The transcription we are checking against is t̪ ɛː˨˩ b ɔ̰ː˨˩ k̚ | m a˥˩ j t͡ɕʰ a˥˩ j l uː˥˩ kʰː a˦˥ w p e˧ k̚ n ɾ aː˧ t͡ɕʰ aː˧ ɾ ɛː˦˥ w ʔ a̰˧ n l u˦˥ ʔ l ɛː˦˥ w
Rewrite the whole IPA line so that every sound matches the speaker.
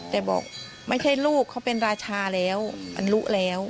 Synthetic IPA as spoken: t̪ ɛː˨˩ b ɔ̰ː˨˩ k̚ | m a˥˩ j t͡ɕʰ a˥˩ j l uː˥˩ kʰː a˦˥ w p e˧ n ɾ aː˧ t͡ɕʰ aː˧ l ɛː˦˥ w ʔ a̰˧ n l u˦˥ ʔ l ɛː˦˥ w